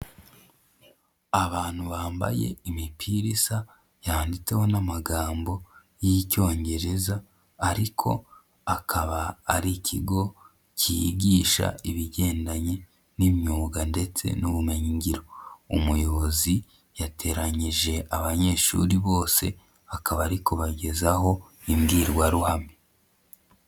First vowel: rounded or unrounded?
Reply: unrounded